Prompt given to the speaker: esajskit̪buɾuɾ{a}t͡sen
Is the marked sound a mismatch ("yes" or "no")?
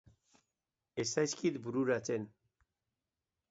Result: no